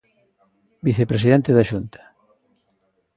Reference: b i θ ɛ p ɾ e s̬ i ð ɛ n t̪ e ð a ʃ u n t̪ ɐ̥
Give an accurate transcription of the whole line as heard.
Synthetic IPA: b i θ e p ɾ e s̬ i ð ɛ n t̪ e ð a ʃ u n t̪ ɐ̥